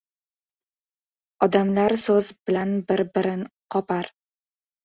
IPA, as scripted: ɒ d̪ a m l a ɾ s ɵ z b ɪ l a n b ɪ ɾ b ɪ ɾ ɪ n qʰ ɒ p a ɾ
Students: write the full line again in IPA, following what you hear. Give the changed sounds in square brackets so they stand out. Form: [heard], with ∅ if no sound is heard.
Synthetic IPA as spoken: ɒ d̪ a m l a ɾ s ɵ z b ɪ l a n b ɪ ɾ b ɪ ɾ ɪ n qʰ ɒ p a ɾ